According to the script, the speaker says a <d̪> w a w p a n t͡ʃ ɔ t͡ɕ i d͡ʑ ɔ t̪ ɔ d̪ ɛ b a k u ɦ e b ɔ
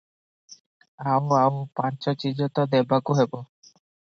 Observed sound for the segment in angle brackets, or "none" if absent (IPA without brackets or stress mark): none